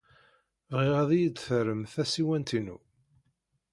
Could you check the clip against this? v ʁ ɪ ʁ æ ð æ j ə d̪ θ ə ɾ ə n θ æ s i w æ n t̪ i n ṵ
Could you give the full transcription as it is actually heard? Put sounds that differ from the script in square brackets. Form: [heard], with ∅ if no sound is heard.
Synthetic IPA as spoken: v ʁ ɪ ʁ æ ð [i] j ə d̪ θ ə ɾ ə [m] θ æ s i w æ n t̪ i n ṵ

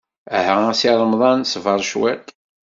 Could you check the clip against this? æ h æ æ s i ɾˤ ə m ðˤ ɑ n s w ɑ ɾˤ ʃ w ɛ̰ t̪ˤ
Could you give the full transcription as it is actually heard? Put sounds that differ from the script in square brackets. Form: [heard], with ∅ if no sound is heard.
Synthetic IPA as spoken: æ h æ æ s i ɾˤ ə m ðˤ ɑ n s [v] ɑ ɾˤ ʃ w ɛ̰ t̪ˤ

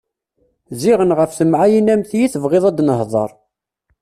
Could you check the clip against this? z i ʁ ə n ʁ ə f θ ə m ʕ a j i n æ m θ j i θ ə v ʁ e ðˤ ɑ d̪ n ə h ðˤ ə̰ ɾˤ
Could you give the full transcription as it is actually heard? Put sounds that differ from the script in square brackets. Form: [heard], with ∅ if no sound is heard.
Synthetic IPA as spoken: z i ʁ ə n ʁ ə f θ ə m ʕ a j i n æ m θ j i θ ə v ʁ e ðˤ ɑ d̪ n ə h ðˤ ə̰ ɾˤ

